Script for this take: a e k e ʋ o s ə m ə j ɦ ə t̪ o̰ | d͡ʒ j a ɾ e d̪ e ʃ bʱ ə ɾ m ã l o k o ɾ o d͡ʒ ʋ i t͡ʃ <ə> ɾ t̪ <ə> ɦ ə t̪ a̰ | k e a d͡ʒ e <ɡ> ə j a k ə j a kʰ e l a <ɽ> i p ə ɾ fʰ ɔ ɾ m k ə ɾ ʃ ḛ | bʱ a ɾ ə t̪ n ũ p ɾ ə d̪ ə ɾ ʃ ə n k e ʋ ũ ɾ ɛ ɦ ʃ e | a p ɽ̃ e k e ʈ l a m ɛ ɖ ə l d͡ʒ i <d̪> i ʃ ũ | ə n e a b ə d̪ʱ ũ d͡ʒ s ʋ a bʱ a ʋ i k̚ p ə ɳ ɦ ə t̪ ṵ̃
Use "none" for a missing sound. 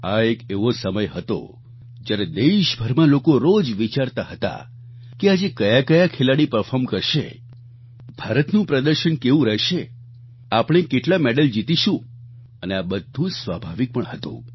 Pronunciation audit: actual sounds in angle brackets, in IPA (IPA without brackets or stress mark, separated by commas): a, a, k, ɽ, t̪